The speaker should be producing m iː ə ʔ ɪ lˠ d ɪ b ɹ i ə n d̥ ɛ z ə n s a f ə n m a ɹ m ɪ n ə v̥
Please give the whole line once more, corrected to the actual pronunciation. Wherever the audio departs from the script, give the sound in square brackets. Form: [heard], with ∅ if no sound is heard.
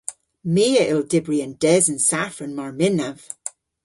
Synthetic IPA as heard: m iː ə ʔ ɪ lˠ d ɪ b ɹ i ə n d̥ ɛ z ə n s a f ə n m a ɹ m ɪ n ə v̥